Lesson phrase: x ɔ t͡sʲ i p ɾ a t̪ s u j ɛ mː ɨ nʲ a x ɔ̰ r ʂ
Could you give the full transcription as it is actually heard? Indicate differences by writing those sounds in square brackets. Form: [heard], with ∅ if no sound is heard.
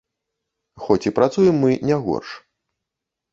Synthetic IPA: x ɔ t͡sʲ i p ɾ a t̪ s u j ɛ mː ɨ nʲ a [ɣ] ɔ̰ r ʂ